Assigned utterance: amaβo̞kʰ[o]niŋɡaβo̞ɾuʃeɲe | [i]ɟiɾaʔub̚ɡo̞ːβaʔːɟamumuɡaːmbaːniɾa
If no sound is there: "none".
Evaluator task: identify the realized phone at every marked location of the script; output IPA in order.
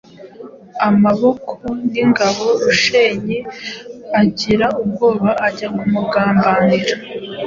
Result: o, a

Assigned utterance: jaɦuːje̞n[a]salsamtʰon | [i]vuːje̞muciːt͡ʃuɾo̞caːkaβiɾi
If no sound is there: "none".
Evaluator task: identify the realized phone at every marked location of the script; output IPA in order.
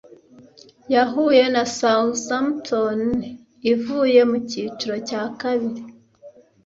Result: a, i

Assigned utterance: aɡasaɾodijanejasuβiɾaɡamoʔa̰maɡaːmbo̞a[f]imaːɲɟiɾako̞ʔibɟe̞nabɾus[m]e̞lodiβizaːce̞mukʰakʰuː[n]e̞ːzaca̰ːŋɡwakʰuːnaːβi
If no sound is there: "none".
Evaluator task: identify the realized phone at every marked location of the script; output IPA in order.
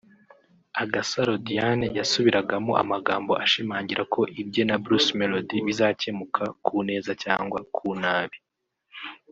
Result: ʃ, m, n

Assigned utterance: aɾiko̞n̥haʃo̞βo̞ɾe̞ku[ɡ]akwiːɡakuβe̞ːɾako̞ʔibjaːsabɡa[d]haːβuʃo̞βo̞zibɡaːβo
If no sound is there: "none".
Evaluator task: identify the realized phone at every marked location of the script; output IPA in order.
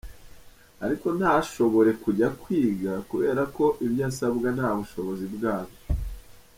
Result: ɟ, n

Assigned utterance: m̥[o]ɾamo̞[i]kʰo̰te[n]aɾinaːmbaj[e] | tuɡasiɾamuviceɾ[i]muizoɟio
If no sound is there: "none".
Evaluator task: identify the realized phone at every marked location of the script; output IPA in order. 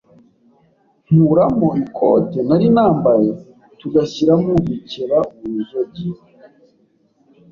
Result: u, i, n, e, a

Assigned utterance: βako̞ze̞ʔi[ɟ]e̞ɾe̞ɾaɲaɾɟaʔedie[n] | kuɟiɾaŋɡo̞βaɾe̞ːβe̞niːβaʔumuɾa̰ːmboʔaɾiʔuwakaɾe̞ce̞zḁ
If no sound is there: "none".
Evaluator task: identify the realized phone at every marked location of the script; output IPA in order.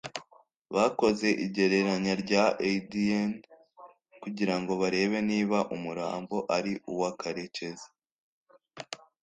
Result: ɟ, n

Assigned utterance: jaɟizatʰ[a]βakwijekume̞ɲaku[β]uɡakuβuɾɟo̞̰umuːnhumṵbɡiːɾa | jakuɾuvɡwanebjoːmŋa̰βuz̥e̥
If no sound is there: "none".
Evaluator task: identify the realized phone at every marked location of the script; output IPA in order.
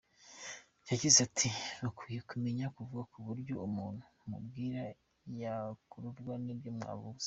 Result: i, v

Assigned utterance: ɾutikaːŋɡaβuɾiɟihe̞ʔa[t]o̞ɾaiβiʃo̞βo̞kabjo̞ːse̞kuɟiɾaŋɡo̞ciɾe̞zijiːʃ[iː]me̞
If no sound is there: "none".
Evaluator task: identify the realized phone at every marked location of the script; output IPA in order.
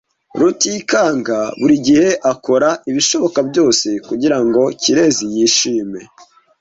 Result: k, iː

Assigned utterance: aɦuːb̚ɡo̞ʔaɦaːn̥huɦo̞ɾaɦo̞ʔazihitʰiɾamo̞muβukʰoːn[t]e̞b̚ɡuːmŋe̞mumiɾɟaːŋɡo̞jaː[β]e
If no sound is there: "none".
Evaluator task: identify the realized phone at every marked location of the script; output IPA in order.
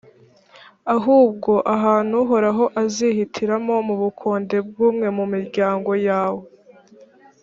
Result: d, w

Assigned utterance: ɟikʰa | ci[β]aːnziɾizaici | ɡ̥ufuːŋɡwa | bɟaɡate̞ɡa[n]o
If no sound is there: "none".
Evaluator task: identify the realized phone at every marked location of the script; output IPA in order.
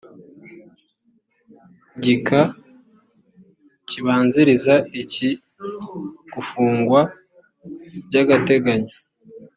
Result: β, ɲ

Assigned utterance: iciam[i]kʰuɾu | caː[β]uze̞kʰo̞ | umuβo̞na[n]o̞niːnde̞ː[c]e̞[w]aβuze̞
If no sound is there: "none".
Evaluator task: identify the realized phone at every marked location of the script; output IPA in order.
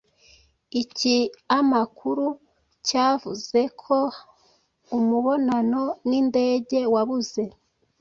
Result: a, v, n, ɟ, w

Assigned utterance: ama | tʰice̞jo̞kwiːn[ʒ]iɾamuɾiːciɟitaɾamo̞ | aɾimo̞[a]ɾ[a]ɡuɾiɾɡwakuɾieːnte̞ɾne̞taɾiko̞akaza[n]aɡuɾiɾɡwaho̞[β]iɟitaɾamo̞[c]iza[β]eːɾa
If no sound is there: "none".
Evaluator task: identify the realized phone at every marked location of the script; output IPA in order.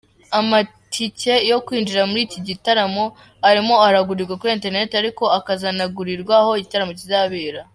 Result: d͡ʒ, a, a, n, none, c, β

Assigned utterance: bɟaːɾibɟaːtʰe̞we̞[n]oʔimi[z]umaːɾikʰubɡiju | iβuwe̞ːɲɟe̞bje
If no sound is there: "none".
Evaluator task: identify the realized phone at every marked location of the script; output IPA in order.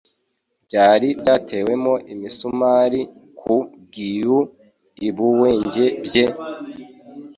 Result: m, s

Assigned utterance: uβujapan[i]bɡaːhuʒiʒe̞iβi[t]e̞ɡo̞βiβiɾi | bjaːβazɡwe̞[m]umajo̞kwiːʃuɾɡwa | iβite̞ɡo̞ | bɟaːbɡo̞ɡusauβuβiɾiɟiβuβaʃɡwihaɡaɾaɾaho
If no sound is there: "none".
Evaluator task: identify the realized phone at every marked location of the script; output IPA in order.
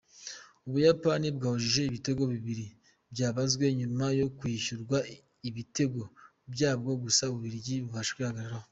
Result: i, t, ɲ

